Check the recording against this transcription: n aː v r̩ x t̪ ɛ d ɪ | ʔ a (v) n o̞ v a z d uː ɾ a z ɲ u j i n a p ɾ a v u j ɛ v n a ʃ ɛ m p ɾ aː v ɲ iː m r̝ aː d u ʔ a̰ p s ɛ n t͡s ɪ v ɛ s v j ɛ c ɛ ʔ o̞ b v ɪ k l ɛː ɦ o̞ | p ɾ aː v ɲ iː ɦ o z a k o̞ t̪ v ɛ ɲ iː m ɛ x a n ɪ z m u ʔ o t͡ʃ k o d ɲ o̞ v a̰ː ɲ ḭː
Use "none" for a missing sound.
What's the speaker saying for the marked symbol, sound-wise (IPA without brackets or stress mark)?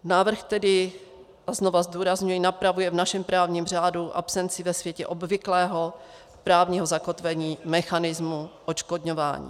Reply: z